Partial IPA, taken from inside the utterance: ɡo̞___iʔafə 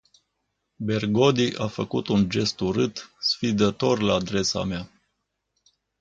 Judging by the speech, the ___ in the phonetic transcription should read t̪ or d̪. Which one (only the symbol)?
d̪